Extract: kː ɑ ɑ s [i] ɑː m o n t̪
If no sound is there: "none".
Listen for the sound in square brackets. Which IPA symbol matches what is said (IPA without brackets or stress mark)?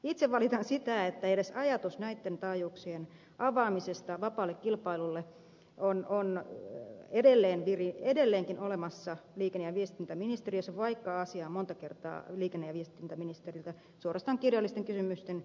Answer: i